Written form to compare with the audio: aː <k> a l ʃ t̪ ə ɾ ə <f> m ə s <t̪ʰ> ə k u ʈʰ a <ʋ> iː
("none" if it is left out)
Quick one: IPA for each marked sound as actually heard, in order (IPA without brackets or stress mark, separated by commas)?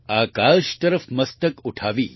k, f, t̪, ʋ